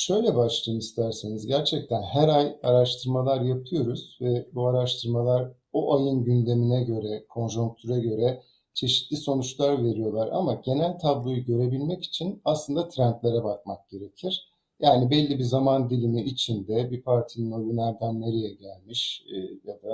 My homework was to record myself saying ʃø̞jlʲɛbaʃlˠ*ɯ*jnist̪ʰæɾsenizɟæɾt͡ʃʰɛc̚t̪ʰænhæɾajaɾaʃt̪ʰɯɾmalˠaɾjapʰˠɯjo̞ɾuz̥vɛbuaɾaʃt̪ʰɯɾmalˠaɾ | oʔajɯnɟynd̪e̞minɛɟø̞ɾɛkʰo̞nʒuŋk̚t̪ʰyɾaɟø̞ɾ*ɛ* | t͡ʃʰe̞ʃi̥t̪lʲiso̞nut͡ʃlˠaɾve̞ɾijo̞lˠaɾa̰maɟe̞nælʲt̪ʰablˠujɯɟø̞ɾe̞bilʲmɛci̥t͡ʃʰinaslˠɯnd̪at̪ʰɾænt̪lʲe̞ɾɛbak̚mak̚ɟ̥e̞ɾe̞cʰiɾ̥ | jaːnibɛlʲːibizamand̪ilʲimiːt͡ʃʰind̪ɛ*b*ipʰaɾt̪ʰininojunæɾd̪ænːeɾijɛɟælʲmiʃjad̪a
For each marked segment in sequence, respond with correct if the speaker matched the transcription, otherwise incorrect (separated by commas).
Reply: correct, correct, correct